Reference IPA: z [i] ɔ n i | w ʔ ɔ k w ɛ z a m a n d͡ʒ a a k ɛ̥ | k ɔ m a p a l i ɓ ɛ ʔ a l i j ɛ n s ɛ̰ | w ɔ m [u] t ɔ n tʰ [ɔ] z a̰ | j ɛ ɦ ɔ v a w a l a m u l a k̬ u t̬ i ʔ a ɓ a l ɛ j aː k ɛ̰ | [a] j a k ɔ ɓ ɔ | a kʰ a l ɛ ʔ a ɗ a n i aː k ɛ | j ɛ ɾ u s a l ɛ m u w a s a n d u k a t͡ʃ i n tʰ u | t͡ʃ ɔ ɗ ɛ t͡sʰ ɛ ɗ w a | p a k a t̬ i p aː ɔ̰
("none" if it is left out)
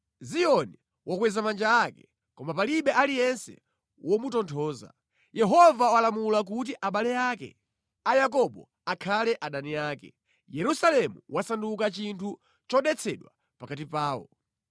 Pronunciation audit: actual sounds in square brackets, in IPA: i, u, ɔː, a

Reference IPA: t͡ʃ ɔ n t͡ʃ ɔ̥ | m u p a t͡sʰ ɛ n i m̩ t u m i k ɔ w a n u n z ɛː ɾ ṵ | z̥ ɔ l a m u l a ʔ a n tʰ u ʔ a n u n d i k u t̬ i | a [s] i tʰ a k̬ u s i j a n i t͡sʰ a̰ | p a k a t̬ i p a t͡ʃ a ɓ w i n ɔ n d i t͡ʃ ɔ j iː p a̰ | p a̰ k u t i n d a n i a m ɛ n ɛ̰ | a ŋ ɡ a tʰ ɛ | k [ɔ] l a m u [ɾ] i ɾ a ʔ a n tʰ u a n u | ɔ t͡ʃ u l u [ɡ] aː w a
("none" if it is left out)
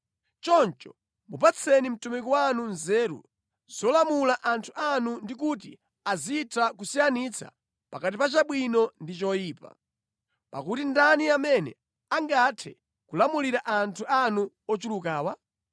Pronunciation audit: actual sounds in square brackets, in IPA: z, u, l, k

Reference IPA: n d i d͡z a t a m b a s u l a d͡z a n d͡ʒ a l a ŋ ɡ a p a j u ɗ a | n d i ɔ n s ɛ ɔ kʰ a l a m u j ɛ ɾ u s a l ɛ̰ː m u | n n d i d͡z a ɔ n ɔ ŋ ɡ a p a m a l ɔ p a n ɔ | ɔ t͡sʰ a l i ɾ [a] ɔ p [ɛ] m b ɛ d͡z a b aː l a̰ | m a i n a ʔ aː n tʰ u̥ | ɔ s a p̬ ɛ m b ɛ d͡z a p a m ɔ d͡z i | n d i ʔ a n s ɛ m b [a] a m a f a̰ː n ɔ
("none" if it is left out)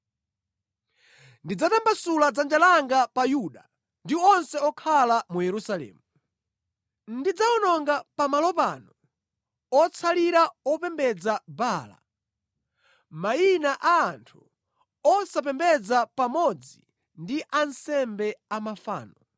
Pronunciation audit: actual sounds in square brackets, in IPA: a, ɛ, ɛ

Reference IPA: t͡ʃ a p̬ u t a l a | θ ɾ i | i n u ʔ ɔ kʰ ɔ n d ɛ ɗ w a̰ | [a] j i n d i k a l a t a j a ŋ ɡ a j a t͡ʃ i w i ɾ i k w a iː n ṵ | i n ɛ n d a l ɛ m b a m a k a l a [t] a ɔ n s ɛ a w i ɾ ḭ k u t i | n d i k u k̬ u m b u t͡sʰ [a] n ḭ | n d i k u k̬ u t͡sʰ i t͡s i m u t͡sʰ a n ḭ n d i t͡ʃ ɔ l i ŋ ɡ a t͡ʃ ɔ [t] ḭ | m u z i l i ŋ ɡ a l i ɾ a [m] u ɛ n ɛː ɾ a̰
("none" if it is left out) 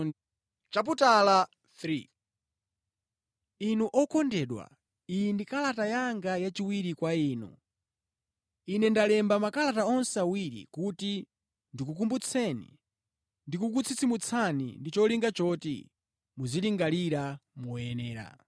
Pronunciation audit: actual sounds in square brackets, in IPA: i, t, ɛ, t, m

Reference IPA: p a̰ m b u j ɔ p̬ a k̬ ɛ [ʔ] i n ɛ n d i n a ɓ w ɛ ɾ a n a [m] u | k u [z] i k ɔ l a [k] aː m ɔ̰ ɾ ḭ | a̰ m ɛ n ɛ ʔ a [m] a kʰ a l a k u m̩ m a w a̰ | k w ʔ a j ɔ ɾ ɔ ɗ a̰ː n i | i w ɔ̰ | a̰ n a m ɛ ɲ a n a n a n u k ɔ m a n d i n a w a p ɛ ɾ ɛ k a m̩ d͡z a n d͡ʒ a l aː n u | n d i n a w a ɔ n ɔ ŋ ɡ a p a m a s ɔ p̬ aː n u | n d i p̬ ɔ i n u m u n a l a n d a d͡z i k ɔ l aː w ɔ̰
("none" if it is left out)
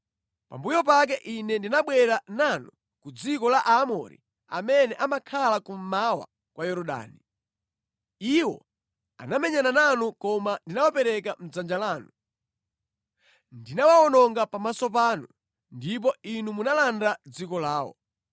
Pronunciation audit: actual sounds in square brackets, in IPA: ʔ, n, d͡z, ʔ, m

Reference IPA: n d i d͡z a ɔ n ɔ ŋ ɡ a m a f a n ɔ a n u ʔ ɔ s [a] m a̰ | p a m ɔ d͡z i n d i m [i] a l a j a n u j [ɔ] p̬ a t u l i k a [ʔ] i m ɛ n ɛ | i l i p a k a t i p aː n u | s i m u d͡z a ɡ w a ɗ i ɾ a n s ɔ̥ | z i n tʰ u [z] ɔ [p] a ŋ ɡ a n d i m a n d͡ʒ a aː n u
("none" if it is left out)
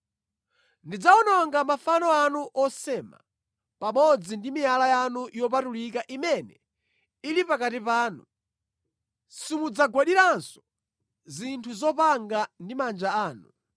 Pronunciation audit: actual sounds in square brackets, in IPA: ɛ, i, ɔ, ʔ, z, p

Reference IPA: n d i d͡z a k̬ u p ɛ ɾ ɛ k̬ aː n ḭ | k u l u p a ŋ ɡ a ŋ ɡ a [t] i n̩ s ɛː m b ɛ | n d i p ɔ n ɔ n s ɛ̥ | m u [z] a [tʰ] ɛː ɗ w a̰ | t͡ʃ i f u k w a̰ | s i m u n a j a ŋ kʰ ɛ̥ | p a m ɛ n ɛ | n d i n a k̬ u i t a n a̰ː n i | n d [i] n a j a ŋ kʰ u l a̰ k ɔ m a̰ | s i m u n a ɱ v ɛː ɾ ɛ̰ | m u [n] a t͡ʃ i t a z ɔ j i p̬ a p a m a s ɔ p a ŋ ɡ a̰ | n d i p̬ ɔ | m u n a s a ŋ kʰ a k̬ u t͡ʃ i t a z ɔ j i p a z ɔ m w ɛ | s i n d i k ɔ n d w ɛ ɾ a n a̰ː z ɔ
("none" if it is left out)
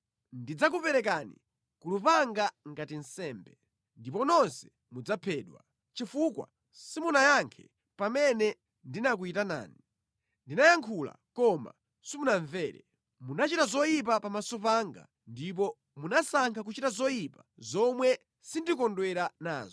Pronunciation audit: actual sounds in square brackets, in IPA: t, d͡z, pʰ, i, n

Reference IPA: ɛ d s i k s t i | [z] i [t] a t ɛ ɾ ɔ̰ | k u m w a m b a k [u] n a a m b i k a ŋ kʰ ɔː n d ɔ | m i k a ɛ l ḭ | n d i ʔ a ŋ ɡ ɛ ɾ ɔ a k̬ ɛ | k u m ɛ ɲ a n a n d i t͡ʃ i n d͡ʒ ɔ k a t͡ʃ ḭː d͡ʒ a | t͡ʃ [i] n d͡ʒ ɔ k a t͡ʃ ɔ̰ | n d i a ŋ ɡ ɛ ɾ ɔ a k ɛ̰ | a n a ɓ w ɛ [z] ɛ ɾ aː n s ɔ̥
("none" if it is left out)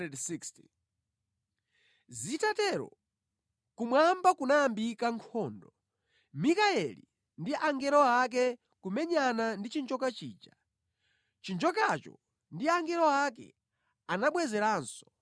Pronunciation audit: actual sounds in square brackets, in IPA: z, t, u, i, z

